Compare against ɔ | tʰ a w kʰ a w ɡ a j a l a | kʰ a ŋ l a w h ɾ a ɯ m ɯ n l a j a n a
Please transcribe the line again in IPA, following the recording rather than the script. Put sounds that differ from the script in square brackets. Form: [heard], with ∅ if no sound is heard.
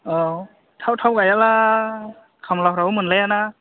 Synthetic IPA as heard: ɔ | tʰ a w [tʰ] a w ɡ a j a l a | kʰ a [m] l a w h ɾ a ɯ m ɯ n l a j a n a